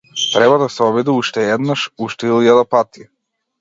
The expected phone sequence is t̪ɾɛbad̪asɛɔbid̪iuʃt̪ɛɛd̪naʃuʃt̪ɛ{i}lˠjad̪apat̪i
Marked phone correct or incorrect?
correct